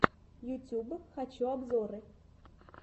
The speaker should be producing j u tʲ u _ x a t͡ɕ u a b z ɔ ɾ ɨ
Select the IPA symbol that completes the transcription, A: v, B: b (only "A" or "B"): B